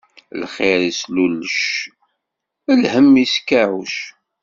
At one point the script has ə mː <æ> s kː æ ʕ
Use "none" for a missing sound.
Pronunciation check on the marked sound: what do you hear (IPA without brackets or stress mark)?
i